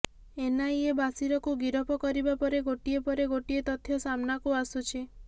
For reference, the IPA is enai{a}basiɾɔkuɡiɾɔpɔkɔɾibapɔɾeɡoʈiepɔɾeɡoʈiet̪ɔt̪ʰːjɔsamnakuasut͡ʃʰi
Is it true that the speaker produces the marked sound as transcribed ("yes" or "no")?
no